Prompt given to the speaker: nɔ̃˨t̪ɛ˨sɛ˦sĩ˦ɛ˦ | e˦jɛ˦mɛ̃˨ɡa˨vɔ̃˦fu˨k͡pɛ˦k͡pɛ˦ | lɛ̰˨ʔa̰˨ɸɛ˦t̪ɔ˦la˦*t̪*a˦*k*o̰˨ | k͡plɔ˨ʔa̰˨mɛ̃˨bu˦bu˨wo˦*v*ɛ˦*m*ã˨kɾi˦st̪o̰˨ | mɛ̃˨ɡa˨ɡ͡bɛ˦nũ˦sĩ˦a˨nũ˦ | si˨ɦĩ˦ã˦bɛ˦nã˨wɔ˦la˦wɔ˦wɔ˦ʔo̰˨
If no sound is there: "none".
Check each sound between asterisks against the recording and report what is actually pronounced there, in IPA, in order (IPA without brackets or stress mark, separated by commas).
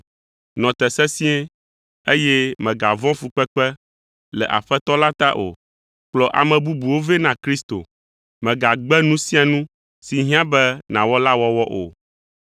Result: t̪, ʔ, v, n